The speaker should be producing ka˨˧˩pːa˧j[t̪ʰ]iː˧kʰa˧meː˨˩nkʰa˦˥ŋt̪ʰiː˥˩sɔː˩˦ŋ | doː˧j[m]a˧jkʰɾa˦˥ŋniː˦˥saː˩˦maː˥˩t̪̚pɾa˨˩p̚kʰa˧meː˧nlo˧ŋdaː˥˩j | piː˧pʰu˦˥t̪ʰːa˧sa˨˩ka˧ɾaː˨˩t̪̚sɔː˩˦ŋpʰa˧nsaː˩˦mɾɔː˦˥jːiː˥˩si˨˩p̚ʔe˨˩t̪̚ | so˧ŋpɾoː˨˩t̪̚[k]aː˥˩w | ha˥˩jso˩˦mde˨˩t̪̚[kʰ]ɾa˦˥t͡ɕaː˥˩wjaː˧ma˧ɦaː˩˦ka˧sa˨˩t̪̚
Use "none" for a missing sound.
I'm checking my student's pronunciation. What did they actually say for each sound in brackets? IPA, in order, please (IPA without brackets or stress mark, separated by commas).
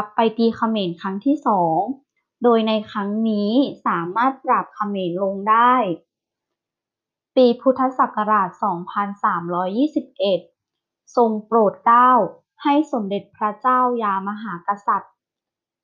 t̪, n, k, pʰ